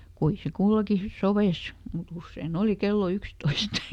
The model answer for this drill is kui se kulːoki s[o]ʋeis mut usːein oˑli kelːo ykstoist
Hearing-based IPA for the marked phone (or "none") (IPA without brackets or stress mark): o